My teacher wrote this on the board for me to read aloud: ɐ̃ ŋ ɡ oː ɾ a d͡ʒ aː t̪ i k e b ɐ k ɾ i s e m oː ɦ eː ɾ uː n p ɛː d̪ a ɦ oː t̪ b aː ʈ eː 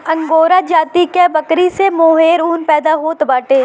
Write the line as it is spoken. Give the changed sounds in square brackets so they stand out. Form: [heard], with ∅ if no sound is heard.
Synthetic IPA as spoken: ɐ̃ ŋ ɡ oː ɾ a d͡ʒ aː t̪ i k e b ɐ k ɾ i s e m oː ɦ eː ɾ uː n p ɛː d̪ a ɦ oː t̪ b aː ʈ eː

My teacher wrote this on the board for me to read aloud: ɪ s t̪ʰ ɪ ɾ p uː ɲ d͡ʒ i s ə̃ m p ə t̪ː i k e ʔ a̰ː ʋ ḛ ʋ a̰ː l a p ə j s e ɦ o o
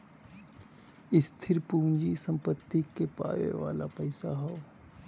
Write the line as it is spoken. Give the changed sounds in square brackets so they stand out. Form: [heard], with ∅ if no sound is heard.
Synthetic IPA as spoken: ɪ s t̪ʰ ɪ ɾ p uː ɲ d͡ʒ i s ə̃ m p ə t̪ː i k e [p] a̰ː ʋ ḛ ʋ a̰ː l a p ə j s [a] ɦ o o

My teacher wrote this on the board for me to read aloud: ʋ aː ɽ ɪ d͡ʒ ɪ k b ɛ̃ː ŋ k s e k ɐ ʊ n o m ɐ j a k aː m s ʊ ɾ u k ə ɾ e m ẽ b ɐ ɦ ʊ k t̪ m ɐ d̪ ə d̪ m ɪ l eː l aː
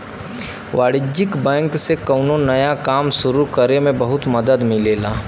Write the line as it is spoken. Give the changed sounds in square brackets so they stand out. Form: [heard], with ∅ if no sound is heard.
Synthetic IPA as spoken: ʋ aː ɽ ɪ d͡ʒ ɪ k b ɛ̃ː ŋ k s e k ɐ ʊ n o [n] ɐ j a k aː m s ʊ ɾ u k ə ɾ e m ẽ b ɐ ɦ ʊ [∅] t̪ m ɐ d̪ ə d̪ m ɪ l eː l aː

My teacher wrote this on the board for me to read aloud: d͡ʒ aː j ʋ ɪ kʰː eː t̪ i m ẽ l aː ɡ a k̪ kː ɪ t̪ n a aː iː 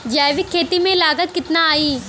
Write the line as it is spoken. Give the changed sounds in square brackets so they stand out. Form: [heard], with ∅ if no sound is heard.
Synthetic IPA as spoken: d͡ʒ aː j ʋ ɪ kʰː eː t̪ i m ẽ l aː ɡ [ə] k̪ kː ɪ t̪ n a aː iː

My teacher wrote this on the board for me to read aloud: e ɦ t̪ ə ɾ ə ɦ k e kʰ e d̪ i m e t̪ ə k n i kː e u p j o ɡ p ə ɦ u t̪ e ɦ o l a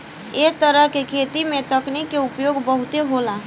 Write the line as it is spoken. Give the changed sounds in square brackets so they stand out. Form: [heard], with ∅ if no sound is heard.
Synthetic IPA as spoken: e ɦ t̪ ə ɾ ə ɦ k e kʰ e [t̪] i m e t̪ ə k n i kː e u p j o ɡ [b] ə ɦ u t̪ e ɦ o l a

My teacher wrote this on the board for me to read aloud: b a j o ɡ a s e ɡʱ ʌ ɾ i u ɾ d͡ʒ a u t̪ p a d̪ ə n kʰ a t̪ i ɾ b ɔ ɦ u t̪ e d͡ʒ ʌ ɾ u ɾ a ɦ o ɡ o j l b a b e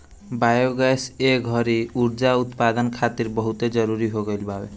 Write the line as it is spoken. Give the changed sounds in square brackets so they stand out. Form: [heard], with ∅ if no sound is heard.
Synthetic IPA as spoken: b a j o ɡ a s e ɡʱ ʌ ɾ i u ɾ d͡ʒ a u t̪ p a d̪ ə n kʰ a t̪ i ɾ b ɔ ɦ u t̪ e d͡ʒ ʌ ɾ u ɾ [i] ɦ o ɡ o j l b a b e

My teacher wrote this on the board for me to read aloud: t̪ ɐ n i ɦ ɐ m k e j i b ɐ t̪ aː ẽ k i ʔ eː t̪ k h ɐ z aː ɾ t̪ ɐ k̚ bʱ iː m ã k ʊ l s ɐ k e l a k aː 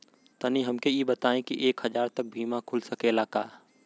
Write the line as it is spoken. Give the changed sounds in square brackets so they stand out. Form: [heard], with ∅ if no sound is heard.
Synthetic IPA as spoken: t̪ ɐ n i ɦ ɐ m k e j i b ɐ t̪ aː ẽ k i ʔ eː [∅] k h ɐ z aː ɾ t̪ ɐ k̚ bʱ iː m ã [kʰ] ʊ l s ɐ k e l a k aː

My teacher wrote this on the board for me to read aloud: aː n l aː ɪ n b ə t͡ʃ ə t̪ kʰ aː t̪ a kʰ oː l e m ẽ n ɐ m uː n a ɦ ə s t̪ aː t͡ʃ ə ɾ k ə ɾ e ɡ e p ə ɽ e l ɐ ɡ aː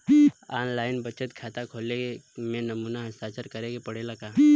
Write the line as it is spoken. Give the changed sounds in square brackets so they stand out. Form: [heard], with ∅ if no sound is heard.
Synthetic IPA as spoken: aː n l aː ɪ n b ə t͡ʃ ə t̪ kʰ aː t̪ a kʰ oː l e m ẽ n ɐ m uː n a ɦ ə s t̪ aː t͡ʃ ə ɾ k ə ɾ e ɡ e p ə ɽ e l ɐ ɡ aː

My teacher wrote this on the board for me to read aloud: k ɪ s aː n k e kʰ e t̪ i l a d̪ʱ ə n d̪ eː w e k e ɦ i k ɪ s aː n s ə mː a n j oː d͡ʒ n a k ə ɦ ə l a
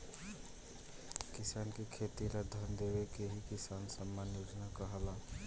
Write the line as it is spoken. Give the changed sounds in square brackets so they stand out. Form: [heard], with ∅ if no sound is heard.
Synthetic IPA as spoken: k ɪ s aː n k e kʰ e t̪ i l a d̪ʱ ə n d̪ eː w e k e ɦ i k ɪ s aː n s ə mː a n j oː d͡ʒ n a k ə ɦ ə l a

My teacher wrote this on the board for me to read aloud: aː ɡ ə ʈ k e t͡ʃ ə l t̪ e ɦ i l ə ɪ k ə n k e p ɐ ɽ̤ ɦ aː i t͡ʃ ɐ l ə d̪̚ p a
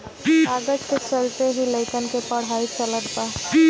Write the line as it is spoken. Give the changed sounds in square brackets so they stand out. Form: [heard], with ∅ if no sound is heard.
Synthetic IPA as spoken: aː ɡ ə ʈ k e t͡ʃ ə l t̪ e ɦ i l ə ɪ k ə n k e p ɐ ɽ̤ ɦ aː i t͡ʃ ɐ l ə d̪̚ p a

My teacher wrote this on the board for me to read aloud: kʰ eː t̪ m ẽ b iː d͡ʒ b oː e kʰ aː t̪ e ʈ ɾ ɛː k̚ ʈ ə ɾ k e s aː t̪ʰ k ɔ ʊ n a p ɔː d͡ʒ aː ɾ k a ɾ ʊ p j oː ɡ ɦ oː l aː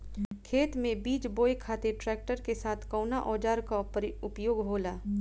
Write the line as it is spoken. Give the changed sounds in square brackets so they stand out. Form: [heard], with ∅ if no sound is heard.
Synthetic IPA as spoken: kʰ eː t̪ m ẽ b iː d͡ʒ b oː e kʰ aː t̪ e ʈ ɾ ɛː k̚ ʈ ə ɾ k e s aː t̪ʰ k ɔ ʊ n a [ʔ] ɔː d͡ʒ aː ɾ k a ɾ ʊ p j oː ɡ ɦ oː l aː

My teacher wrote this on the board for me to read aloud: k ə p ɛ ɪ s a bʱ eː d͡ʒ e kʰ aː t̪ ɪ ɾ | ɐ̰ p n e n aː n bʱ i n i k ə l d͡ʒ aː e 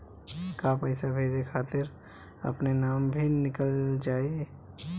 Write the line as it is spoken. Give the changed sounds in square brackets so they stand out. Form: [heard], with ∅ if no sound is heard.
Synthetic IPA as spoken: k [a] p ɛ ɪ s a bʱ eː d͡ʒ e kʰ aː t̪ ɪ ɾ | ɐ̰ p n e n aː [m] bʱ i n [ɪ] k ə l d͡ʒ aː e

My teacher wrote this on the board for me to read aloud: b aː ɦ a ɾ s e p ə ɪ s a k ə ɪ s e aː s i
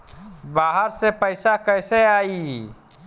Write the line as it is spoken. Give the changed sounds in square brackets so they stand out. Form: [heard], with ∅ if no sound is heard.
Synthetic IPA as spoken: b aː ɦ [ə] ɾ s e p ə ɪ s a k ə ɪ s e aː [∅] i

